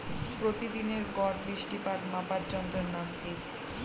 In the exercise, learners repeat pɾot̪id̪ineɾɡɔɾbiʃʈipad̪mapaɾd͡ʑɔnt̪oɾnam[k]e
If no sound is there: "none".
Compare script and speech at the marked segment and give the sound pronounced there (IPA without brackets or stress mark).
k